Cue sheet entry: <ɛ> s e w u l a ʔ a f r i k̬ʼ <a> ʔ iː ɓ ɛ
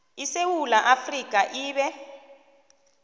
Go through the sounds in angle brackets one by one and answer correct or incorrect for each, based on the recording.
incorrect: i, correct

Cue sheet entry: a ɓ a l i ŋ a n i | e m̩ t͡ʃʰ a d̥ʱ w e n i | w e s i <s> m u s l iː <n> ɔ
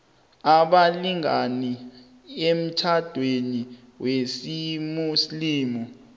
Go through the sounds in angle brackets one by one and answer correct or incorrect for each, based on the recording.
incorrect: none, incorrect: m

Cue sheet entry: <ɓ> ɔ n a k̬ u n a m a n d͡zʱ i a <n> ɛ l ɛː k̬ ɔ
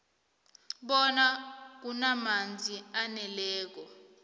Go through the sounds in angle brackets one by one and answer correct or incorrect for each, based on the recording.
correct, correct

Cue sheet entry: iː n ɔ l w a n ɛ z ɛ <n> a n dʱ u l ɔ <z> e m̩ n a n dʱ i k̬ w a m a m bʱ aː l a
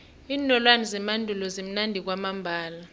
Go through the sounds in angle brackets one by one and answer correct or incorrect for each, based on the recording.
incorrect: m, correct

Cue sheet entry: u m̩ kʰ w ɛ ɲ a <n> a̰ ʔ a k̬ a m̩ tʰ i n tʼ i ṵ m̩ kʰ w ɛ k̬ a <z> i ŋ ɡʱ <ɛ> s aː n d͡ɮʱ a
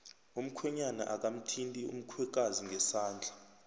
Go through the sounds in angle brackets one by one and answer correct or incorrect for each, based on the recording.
correct, correct, correct

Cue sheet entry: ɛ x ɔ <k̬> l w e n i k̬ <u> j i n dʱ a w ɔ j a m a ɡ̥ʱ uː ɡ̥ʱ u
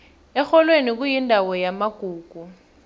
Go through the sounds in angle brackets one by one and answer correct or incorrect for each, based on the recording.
incorrect: none, correct

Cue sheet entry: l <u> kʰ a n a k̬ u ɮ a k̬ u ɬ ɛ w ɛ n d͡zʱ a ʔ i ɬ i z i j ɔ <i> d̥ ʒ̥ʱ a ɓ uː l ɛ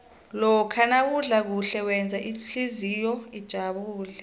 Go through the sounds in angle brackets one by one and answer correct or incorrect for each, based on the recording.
incorrect: ɔ, correct

